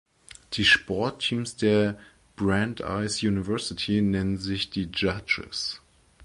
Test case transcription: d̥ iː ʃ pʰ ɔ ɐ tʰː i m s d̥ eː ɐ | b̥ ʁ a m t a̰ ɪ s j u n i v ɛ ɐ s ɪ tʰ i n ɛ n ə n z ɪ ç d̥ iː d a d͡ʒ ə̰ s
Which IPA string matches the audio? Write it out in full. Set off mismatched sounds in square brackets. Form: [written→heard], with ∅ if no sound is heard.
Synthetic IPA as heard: d̥ iː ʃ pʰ ɔ ɐ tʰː [i→iː] m s d̥ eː ɐ | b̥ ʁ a [m→n] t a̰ ɪ s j u n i v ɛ ɐ s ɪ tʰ i n ɛ n ə n z ɪ ç d̥ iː [d→d͡ʒ] a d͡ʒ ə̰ s